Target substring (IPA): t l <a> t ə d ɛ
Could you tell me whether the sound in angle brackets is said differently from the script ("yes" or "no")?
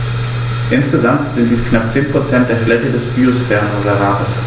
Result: yes